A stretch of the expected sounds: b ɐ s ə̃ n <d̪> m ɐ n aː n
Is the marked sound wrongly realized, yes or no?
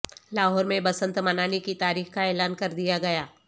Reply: yes